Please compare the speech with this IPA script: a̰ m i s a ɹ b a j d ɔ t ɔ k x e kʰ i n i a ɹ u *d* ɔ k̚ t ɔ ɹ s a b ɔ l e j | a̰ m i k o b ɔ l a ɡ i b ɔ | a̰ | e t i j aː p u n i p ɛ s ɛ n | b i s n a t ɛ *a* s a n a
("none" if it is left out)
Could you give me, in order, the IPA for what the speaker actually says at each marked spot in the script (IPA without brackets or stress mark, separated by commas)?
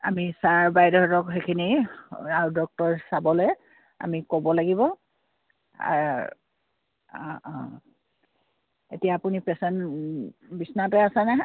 d, a